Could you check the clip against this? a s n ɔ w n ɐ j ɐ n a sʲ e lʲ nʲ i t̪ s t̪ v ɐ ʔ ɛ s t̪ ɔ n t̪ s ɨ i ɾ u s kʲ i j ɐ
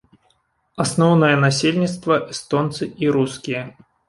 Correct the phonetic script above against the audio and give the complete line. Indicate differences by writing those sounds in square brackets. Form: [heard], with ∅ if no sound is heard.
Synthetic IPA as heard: a s n ɔ w n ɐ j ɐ n a sʲ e lʲ nʲ i t̪ s t̪ v ɐ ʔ ɛ s t̪ ɔ n t̪ s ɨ i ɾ u s kʲ i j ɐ